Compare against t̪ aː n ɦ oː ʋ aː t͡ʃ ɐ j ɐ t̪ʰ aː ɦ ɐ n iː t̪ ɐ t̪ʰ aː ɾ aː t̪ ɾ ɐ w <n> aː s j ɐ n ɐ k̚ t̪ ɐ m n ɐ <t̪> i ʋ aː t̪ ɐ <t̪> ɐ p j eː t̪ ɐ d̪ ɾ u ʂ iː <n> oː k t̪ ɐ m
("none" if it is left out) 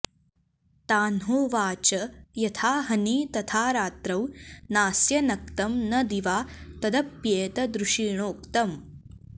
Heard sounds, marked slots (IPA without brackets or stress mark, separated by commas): n, d̪, d̪, ɳ